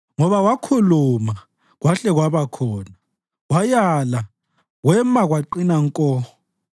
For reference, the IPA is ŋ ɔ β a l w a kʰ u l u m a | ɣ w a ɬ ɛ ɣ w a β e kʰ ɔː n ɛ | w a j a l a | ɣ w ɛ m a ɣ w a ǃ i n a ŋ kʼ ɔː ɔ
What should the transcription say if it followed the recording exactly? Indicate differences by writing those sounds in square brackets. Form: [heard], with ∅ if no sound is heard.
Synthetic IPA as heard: ŋ ɔ β a [∅] w a kʰ u l u m a | ɣ w a ɬ ɛ ɣ w a β [a] kʰ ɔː n [a] | w a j a l a | ɣ w ɛ m a ɣ w a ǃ i n a ŋ kʼ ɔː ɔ